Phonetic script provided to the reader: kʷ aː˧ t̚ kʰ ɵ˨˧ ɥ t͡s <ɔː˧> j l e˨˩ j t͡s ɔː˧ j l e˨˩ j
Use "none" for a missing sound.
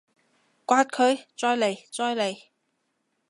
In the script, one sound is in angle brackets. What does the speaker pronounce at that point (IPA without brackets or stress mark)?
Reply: ɔː˧